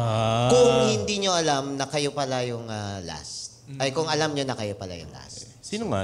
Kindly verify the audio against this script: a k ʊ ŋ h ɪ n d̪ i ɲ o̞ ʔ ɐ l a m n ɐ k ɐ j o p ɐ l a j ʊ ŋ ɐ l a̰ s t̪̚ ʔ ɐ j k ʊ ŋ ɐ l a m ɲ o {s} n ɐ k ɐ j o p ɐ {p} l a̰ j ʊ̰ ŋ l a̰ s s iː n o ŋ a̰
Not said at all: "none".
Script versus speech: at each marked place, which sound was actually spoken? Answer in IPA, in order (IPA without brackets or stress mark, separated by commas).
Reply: none, none